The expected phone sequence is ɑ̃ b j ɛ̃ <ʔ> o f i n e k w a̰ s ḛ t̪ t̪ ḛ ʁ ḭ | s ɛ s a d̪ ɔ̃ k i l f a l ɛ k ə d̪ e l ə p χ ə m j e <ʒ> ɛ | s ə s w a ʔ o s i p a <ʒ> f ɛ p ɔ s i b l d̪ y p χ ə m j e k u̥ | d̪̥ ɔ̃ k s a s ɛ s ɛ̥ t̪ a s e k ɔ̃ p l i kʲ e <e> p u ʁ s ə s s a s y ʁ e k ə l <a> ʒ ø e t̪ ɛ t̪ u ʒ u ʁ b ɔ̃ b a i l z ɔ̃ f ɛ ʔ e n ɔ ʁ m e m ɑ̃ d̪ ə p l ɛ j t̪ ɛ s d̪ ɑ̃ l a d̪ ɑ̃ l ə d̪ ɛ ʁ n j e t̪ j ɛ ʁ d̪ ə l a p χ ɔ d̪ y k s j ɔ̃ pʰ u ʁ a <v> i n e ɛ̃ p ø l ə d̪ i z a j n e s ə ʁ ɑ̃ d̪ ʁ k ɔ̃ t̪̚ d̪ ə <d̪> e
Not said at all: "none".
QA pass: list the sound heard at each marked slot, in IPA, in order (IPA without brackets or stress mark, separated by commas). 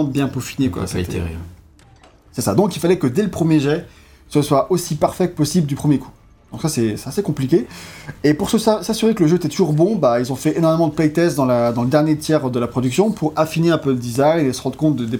p, ʒ, ʁ, e, ə, f, d̪